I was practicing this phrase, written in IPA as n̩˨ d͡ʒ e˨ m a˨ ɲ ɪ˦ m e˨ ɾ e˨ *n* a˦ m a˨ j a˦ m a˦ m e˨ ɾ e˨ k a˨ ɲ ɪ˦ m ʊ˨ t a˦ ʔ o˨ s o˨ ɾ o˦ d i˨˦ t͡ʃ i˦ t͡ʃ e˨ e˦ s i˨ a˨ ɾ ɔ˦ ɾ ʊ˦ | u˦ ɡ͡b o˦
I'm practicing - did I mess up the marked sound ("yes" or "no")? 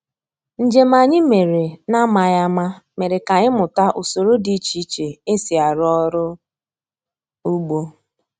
no